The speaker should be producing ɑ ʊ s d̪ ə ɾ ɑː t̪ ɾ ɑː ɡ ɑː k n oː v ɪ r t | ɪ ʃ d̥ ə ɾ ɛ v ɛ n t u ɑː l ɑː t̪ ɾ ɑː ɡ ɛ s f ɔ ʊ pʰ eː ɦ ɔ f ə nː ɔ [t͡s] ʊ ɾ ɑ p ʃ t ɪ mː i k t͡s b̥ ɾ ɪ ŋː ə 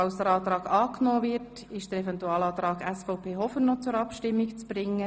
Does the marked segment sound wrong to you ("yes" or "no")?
no